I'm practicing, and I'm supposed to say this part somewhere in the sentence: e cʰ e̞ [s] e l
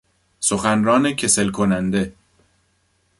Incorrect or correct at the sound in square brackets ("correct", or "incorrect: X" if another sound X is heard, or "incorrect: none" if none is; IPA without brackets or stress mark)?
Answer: correct